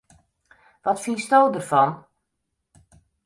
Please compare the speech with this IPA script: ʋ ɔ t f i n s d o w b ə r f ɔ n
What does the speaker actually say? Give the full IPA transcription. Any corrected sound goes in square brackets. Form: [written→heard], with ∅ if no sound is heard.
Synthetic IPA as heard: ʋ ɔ t f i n s [d→t] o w [b→d] ə r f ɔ n